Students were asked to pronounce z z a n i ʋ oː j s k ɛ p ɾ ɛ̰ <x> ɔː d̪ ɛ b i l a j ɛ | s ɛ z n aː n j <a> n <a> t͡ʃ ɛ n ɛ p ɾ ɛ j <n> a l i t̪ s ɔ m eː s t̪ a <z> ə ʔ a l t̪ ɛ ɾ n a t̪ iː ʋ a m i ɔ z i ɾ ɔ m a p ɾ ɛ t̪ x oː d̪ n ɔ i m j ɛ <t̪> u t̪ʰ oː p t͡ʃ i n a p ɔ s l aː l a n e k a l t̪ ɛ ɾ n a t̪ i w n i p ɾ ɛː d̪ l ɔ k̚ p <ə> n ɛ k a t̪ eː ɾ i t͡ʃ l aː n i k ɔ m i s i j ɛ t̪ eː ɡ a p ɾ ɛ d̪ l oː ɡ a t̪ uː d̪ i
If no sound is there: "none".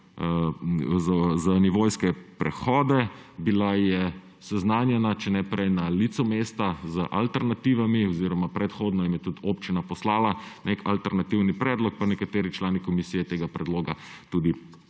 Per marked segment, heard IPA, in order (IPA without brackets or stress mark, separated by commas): x, ɛ, a, n, z, t̪, a